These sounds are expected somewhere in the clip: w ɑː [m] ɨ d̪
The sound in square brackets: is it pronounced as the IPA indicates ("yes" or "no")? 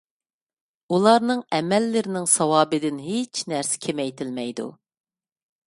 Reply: no